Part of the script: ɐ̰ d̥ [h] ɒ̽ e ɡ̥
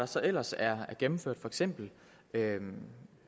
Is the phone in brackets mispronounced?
yes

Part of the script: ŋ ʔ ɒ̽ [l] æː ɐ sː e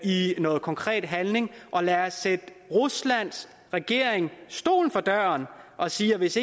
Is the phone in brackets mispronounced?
no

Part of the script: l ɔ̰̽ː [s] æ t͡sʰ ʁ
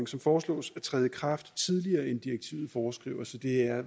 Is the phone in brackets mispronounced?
no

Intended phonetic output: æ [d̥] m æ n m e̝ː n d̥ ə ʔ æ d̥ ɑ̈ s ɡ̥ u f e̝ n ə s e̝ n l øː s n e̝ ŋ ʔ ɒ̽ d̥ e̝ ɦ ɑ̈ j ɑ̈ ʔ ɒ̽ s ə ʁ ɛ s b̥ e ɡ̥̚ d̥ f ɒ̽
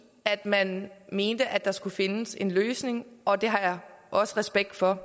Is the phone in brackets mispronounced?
no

